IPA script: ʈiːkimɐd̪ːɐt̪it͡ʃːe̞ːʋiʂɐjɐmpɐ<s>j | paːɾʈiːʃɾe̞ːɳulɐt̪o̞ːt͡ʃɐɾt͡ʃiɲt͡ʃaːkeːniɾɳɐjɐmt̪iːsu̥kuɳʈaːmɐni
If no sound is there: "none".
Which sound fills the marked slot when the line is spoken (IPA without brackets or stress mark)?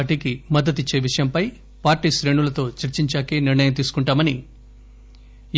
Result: none